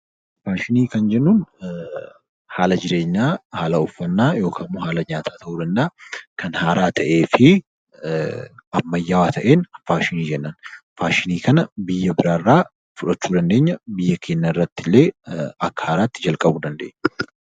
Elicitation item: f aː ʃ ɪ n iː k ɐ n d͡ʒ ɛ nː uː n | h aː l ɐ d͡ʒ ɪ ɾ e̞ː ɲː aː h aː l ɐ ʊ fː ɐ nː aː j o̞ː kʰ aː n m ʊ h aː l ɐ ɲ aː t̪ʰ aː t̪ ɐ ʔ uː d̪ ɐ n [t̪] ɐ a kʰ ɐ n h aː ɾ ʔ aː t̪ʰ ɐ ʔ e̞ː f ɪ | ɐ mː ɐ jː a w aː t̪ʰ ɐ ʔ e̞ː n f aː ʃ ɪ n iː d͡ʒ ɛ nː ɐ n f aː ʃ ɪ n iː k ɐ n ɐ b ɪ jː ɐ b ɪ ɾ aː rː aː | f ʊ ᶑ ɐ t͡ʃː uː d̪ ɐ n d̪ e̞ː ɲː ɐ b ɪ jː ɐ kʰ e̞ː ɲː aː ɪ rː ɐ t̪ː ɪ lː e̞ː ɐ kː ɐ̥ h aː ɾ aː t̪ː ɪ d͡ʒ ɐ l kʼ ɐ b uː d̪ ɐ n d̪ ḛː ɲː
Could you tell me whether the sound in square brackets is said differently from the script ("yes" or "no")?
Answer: yes